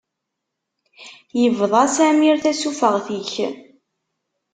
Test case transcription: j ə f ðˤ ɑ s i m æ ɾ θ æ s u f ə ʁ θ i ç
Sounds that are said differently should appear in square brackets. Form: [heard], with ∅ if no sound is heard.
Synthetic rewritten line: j ə [v] ðˤ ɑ s [æ] m [i] ɾ θ æ s u f ə ʁ θ i ç